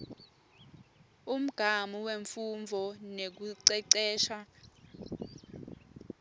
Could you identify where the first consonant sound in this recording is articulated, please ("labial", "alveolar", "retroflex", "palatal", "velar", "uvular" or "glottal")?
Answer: labial